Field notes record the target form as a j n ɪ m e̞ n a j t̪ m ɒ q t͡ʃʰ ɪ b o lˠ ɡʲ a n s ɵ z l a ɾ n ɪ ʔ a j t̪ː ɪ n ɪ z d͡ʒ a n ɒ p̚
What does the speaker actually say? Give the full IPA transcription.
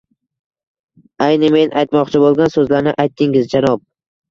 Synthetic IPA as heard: a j n ɪ m e̞ n a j t̪ m ɒ q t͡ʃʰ ɪ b o lˠ ɡʲ a n s ɵ z l a ɾ n ɪ ʔ a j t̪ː ɪ ŋ ɪ z d͡ʒ a n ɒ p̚

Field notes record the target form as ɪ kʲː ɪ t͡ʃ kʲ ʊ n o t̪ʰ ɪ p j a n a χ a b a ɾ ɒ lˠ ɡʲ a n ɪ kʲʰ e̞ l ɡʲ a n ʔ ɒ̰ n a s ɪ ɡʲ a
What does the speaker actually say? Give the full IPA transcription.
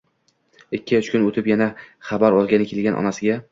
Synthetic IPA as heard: ɪ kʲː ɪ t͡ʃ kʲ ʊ n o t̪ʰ ɪ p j a n a χ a b a ɾ ɒ lˠ ɡʲ a n ɪ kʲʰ e̞ l ɡʲ a n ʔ ɒ̰ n a s ɪ ɡʲ a

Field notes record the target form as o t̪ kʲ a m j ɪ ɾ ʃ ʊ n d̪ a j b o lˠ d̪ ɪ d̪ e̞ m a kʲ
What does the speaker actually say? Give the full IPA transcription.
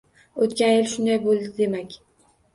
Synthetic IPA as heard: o t̪ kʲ a n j ɪ l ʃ ʊ n d̪ a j b o lˠ d̪ ɪ d̪ e̞ m a kʲ

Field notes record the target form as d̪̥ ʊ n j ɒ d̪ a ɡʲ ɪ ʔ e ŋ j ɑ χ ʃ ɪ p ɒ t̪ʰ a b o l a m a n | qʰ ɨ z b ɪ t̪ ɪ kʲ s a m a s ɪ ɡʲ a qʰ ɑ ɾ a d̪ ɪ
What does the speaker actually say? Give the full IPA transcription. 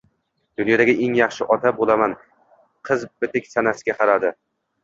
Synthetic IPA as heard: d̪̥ ʊ n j ɒ d̪ a ɡʲ ɪ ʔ e ŋ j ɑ χ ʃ ɪ ʔ ɒ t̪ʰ a b o l a m a n | qʰ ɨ z b ɪ t̪ ɪ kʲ s a n a s ɪ ɡʲ a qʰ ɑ ɾ a d̪ ɪ

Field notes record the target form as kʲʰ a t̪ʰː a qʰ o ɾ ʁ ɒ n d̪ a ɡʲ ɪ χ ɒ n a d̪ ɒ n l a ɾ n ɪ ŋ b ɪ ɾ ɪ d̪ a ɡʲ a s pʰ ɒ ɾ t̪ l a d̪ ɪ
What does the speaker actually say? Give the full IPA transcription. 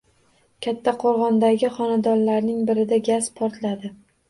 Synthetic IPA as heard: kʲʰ a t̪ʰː a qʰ o ɾ ʁ ɒ n d̪ a ɡʲ ɪ χ ɒ n a d̪ ɒ n l a ɾ n ɪ ŋ b ɪ ɾ ɪ d̪ a ɡʲ a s pʰ ɒ ɾ t̪ l a d̪ ɪ

